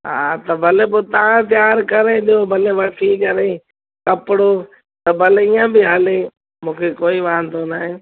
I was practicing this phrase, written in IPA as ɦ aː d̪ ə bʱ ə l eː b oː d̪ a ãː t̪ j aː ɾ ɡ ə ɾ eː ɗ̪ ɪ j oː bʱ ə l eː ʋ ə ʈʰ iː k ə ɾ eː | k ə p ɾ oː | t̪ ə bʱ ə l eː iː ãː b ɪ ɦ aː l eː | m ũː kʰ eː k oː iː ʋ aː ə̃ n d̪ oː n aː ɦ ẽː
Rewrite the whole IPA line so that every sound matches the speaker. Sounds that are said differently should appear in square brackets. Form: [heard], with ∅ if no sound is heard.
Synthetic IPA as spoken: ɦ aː [t̪] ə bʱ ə l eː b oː [t̪] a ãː t̪ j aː ɾ [k] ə ɾ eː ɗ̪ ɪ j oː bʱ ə l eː ʋ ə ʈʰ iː k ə ɾ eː | k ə p [ɽ] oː | t̪ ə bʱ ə l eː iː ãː b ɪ ɦ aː l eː | m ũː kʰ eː k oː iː ʋ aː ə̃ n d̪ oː n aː ɦ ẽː